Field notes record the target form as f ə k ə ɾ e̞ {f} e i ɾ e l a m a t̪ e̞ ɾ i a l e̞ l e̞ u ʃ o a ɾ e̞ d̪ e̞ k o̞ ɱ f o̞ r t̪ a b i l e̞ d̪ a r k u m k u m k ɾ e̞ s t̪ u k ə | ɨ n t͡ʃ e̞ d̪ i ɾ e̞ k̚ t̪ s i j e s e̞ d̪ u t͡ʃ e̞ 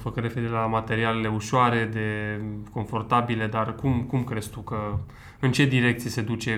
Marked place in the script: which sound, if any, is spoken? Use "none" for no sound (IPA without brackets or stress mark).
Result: f